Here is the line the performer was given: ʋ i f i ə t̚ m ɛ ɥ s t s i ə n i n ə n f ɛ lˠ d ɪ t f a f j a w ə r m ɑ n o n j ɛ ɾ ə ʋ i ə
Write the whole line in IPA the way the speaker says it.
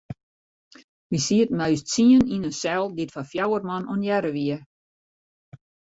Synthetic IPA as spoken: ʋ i s i ə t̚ m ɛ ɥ s t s i ə n i n ə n s ɛ lˠ d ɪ t f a f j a w ə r m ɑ n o n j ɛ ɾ ə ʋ i ə